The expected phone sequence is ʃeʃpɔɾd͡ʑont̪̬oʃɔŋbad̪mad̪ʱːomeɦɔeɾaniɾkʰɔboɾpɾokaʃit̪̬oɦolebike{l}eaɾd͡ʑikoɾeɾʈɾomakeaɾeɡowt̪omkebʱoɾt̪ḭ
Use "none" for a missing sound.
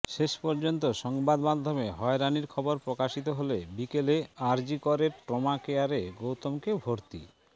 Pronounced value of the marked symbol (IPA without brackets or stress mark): l